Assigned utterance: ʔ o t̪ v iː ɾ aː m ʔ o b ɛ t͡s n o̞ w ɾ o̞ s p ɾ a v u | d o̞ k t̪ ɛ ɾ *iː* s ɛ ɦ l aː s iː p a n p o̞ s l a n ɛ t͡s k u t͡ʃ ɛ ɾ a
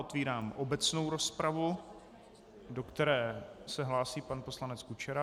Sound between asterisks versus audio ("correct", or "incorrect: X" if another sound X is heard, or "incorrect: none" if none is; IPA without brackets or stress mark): incorrect: ɛː